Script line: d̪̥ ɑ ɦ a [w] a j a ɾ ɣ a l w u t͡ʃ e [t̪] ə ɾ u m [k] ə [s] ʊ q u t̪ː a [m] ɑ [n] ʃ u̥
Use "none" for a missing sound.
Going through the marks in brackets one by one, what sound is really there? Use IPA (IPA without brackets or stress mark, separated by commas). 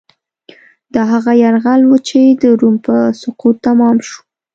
ɣ, d̪, p, s, m, m